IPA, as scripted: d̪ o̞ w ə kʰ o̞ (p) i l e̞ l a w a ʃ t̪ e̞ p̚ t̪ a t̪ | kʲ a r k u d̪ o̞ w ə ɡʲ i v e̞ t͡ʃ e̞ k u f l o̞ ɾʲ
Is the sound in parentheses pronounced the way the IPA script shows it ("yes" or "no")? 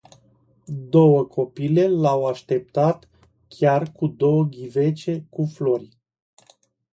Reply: yes